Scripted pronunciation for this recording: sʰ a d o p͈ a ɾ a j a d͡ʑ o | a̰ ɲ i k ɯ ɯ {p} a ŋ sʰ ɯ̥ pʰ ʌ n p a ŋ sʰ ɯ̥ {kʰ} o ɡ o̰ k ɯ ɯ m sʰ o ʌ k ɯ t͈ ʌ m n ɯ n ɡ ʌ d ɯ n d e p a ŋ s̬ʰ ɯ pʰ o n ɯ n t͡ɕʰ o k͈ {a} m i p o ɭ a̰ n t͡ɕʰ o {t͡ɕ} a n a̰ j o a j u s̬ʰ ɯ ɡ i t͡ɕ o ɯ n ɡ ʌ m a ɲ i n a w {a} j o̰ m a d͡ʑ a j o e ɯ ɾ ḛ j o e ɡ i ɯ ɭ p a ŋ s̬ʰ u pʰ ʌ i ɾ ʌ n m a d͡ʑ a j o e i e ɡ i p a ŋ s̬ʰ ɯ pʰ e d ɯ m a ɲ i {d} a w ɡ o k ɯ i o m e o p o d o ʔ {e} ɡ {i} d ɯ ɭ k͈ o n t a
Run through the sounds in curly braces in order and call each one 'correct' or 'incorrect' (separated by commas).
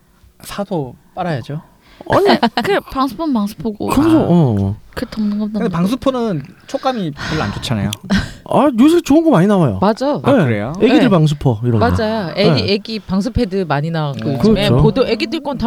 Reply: correct, incorrect, correct, incorrect, correct, incorrect, correct, correct